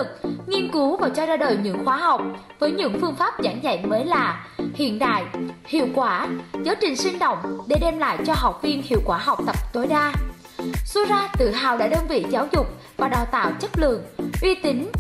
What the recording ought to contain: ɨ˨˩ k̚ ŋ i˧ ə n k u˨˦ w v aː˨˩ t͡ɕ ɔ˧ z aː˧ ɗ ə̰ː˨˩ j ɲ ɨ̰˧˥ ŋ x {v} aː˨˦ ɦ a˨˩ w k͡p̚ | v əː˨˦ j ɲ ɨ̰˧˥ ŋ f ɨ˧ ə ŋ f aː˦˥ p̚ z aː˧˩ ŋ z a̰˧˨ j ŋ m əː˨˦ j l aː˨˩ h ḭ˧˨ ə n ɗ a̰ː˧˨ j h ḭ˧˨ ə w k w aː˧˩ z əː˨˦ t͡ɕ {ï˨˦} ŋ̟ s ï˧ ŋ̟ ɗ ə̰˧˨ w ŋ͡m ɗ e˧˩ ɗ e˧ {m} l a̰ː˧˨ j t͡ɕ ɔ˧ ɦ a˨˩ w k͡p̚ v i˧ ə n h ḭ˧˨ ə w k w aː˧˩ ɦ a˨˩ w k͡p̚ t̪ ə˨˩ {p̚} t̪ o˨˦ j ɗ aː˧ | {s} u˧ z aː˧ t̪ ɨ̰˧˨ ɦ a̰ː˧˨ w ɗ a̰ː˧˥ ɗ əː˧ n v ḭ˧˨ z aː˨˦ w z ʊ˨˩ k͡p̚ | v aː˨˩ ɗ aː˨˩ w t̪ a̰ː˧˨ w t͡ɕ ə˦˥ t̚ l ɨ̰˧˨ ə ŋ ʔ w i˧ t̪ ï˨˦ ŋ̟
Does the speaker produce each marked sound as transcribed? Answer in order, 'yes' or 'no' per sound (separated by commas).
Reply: no, no, yes, yes, yes